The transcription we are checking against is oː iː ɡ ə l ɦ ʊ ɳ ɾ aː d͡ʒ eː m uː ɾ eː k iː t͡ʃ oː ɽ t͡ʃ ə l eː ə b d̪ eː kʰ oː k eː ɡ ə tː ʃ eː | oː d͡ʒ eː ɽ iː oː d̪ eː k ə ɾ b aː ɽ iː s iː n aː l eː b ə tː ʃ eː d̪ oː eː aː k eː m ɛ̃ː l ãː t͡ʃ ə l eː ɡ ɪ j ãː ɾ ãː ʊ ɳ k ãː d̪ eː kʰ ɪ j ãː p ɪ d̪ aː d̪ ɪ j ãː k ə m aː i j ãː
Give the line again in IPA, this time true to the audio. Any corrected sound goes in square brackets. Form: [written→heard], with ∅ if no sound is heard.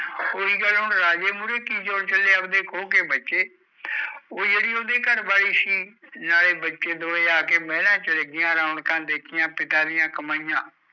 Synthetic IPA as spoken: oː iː ɡ ə l ɦ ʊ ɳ ɾ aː d͡ʒ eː m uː ɾ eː k iː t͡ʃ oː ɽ t͡ʃ ə l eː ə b d̪ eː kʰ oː k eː [ɡ→b] ə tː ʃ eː | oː d͡ʒ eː ɽ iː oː d̪ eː k ə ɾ b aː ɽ iː s iː n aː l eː b ə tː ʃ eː d̪ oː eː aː k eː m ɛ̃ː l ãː t͡ʃ ə l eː ɡ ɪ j ãː ɾ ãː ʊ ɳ k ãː d̪ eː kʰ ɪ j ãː p ɪ [d̪→t̪] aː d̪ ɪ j ãː k ə m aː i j ãː